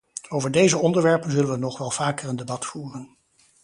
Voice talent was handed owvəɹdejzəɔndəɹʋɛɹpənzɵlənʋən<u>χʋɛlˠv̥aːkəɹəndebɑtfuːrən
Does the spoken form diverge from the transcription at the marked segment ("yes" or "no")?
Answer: yes